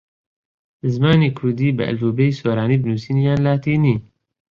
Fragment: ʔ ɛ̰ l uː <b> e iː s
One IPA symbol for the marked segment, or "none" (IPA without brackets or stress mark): b